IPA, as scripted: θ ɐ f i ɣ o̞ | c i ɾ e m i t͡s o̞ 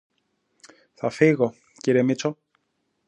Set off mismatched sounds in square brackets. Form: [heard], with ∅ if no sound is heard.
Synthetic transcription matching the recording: θ ɐ f i ɣ o̞ | c i ɾ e m i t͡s o̞